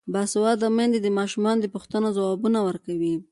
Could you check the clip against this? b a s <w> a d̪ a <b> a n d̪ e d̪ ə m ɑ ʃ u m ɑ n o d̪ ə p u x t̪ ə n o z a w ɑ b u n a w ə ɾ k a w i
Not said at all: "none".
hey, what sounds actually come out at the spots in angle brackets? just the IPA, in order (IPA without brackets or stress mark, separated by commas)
w, m